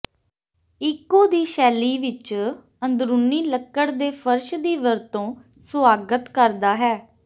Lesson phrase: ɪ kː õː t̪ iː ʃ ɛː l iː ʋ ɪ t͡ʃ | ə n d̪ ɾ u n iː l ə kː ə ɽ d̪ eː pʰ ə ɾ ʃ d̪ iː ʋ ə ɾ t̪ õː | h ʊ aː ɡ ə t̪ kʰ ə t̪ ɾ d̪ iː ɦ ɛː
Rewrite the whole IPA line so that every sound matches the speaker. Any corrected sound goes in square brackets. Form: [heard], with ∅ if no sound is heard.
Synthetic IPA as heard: ɪ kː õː [d̪] iː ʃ ɛː l iː ʋ ɪ t͡ʃ | ə n d̪ ɾ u n iː l ə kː ə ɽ d̪ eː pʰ ə ɾ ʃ d̪ iː ʋ ə ɾ t̪ õː | [s] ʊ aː ɡ ə t̪ [k] ə [∅] ɾ d̪ [aː] ɦ ɛː